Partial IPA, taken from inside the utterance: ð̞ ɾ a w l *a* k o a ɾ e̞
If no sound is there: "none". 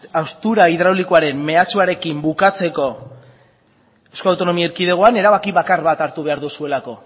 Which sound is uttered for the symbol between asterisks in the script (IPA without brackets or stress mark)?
i